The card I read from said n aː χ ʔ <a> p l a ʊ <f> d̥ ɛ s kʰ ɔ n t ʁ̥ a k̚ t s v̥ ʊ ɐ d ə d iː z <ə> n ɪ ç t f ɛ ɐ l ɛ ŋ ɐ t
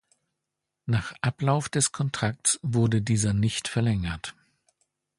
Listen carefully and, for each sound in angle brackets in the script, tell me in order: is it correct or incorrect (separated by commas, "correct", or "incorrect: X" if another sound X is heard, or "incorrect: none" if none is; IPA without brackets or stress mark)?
correct, correct, incorrect: ɐ